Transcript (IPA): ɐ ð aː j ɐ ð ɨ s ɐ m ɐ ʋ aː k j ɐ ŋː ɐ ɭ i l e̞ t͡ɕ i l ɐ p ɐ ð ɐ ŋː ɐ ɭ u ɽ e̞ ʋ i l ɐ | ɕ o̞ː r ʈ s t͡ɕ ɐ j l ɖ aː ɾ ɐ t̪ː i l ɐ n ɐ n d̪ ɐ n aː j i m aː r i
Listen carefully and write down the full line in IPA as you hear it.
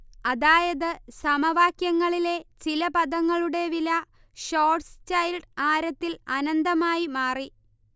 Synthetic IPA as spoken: ɐ ð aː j ɐ ð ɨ s ɐ m ɐ ʋ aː k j ɐ ŋː ɐ ɭ i l e̞ t͡ɕ i l ɐ p ɐ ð ɐ ŋː ɐ ɭ u ɽ e̞ ʋ i l ɐ | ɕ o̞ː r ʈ s t͡ɕ ɐ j l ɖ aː ɾ ɐ t̪ː i l ɐ n ɐ n d̪ ɐ m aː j i m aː r i